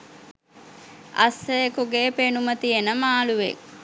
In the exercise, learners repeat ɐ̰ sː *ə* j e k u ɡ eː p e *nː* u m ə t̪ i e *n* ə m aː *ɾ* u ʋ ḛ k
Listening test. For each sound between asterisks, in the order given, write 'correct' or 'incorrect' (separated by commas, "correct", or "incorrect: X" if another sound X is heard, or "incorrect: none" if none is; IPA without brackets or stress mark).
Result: correct, incorrect: n, correct, incorrect: l